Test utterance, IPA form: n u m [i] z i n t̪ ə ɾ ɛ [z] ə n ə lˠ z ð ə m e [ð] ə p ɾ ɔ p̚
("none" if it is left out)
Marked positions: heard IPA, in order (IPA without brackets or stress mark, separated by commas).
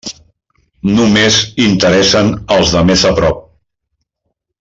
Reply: e, s, z